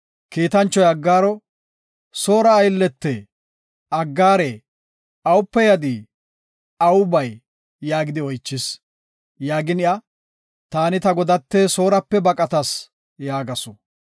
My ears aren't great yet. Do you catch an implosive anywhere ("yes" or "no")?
no